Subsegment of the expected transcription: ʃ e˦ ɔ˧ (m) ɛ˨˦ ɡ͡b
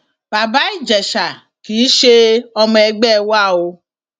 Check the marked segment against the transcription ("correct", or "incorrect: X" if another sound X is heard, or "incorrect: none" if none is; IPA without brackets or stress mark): correct